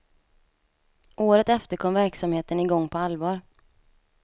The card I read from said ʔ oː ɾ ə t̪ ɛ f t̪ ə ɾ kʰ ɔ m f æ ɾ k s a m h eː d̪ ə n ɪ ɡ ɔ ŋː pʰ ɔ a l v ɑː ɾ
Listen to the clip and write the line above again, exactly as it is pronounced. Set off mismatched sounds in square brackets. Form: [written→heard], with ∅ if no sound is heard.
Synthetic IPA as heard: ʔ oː ɾ ə t̪ ɛ f t̪ ə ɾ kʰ ɔ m [f→v] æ ɾ k s a m h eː [d̪→t̪] ə n ɪ ɡ ɔ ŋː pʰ ɔ a l v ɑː ɾ